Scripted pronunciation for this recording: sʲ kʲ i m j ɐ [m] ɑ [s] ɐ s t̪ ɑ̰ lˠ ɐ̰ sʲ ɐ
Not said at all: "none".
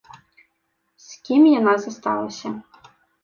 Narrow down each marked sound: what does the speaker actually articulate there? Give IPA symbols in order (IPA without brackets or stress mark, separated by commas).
n, z